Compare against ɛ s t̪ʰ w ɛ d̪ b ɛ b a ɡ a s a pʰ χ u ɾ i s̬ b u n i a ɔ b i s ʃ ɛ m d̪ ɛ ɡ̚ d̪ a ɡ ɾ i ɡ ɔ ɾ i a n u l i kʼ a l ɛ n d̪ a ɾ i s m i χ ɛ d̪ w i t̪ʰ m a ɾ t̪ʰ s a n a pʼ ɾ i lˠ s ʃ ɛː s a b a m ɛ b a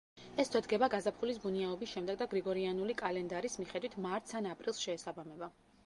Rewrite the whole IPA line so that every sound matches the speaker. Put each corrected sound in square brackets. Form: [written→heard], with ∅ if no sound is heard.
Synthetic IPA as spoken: ɛ s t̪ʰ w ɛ d̪ [b→ɡ] ɛ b a ɡ a [s→z] a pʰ χ u [ɾ→l] i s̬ b u n i a ɔ b i s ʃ ɛ m d̪ ɛ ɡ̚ d̪ a ɡ ɾ i ɡ ɔ ɾ i a n u l i kʼ a l ɛ n d̪ a ɾ i s m i χ ɛ d̪ w i t̪ʰ m a ɾ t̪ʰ s a n a pʼ ɾ i lˠ s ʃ ɛː s a b a m ɛ b a